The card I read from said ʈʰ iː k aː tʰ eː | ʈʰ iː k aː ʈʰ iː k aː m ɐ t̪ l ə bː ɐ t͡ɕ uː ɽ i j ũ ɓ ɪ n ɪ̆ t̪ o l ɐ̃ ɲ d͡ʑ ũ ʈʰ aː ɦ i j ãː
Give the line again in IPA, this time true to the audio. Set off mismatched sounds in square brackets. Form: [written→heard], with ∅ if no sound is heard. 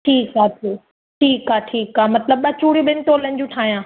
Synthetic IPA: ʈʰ iː k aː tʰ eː | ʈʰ iː k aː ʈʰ iː k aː m ɐ t̪ l ə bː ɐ t͡ɕ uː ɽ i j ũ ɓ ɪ n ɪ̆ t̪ o l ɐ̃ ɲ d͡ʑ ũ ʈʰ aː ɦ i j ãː